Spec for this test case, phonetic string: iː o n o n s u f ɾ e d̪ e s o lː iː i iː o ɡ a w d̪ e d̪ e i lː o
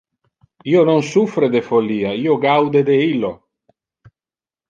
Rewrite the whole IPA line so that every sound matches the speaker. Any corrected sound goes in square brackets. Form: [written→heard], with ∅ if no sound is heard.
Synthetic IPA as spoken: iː o n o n s u f ɾ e d̪ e [s→f] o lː iː [i→a] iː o ɡ a w d̪ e d̪ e i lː o